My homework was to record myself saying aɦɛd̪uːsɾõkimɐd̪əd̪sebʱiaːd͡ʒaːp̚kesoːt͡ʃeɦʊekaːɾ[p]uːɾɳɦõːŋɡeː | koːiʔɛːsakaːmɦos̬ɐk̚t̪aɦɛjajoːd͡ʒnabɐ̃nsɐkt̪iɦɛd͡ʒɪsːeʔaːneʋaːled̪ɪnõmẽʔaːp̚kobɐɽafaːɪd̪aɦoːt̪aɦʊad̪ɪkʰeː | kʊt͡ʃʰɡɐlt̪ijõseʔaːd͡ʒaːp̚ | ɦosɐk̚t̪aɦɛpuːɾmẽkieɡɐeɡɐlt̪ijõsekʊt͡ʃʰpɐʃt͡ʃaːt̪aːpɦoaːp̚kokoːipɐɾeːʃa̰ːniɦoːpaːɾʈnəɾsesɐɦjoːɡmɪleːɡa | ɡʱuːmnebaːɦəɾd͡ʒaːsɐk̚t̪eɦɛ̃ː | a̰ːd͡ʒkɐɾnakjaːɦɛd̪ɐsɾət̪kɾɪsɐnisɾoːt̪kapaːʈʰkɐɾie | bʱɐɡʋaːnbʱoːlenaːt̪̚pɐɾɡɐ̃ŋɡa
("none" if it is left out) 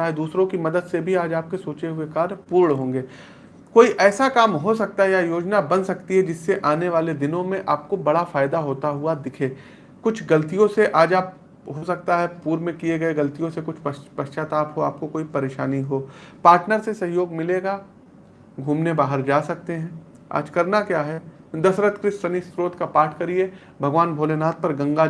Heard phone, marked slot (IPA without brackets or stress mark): p